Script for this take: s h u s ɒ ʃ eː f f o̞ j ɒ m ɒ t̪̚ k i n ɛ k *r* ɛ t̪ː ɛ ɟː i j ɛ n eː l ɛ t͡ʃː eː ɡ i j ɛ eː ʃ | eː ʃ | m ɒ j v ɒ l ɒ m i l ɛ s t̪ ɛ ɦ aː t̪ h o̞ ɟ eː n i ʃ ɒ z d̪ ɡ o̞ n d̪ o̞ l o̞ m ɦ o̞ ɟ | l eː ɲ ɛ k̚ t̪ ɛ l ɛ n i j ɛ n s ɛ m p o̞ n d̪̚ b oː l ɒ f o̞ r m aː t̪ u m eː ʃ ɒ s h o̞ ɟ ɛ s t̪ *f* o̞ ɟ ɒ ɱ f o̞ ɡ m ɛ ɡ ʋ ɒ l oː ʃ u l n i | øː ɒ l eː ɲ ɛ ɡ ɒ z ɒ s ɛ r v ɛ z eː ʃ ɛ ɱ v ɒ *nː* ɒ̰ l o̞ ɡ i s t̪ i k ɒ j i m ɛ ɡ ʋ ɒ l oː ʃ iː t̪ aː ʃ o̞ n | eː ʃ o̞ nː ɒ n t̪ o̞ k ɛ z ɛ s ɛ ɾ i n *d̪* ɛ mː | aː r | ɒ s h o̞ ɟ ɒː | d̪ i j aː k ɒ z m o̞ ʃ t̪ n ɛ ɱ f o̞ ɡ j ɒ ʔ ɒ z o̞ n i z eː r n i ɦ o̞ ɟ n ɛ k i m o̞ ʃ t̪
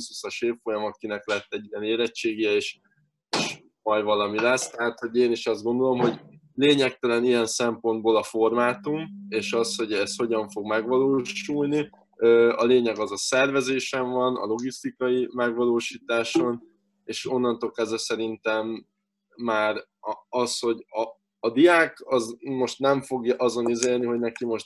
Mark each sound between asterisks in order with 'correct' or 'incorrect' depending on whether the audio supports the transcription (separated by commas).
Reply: incorrect, incorrect, incorrect, incorrect